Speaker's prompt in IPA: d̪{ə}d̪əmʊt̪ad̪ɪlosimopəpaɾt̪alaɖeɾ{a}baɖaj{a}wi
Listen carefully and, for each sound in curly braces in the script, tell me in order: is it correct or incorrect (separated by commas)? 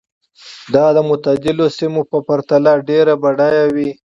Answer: incorrect, correct, correct